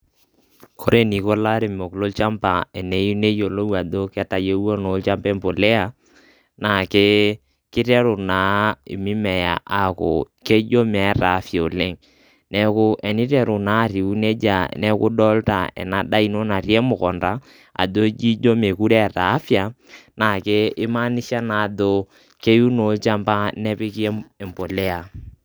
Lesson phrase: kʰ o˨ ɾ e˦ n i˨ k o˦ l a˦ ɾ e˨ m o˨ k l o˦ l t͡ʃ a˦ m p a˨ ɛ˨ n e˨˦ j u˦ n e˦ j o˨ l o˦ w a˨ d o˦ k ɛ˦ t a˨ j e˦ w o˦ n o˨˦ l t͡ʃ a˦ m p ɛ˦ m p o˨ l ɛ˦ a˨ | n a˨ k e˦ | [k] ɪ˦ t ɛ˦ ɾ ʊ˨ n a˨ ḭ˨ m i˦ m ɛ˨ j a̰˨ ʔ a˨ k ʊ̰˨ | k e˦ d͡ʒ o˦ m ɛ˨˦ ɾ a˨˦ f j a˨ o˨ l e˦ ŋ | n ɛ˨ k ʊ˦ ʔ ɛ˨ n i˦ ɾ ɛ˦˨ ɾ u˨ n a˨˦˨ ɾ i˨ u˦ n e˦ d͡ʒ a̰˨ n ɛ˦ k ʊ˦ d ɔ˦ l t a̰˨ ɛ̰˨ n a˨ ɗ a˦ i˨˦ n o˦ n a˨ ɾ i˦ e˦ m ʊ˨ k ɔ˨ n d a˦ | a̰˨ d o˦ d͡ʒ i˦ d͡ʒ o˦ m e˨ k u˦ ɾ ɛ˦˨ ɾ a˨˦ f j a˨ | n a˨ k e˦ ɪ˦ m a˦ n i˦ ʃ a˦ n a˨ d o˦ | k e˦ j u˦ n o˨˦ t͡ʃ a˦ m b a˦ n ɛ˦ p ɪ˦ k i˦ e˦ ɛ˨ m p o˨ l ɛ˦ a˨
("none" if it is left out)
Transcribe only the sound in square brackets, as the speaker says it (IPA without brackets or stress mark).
k